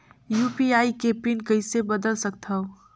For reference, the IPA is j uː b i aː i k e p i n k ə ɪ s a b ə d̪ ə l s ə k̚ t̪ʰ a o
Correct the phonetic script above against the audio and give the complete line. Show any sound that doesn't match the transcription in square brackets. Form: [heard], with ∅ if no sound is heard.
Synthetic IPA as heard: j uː [p] i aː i k e p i n k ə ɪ s [e] b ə d̪ ə l s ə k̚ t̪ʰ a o